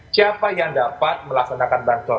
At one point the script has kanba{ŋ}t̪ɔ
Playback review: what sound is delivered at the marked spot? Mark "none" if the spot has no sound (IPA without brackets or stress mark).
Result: n